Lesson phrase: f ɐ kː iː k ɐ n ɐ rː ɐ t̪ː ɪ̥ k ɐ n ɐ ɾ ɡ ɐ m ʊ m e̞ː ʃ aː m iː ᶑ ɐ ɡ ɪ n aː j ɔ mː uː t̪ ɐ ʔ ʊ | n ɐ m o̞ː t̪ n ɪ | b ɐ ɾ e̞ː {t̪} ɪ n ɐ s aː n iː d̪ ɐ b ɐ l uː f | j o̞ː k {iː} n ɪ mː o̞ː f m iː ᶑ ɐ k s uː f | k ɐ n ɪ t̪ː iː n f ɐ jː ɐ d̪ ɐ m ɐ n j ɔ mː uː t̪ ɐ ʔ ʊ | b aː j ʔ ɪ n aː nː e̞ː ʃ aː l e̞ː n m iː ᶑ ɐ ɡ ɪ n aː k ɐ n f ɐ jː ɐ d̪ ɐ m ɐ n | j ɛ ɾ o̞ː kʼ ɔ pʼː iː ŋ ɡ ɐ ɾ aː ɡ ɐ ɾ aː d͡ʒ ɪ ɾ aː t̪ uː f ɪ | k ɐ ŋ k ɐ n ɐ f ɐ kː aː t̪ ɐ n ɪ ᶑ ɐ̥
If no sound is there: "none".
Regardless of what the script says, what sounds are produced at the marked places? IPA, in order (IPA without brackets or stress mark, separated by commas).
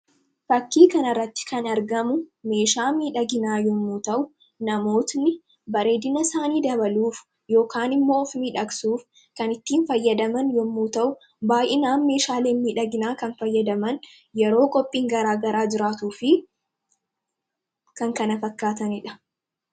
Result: d̪, aː